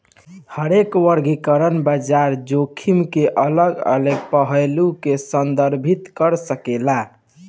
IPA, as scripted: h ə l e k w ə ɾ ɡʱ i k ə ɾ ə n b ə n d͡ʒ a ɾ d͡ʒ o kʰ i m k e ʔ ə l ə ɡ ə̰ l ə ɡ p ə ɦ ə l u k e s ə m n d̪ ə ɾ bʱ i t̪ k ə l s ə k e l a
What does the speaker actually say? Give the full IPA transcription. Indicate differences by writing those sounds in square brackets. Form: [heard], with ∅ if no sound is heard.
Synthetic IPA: h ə [ɾ] e k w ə ɾ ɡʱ i k ə ɾ ə n b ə [∅] d͡ʒ a ɾ d͡ʒ o kʰ i m k e ʔ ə l ə ɡ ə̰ l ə ɡ p ə ɦ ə l u k e s ə [∅] n d̪ ə ɾ bʱ i t̪ k ə [ɾ] s ə k e l a